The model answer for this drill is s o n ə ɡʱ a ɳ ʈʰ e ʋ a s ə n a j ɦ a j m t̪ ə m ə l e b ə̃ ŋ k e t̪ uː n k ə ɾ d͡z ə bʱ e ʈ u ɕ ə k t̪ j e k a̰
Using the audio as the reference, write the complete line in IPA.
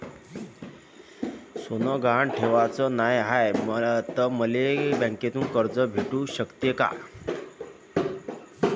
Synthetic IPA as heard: s o n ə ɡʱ a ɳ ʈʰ e ʋ a t͡s ə n a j ɦ a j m t̪ ə m ə l e b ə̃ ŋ k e t̪ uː n k ə ɾ d͡z ə bʱ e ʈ u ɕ ə k t̪ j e k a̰